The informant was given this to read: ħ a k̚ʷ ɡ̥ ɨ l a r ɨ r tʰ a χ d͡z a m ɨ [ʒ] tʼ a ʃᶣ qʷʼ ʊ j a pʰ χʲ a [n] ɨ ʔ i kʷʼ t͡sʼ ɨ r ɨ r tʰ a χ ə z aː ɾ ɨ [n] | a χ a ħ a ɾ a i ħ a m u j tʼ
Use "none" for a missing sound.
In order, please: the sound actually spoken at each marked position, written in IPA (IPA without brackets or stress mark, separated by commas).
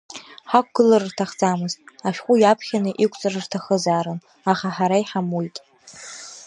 z, n, n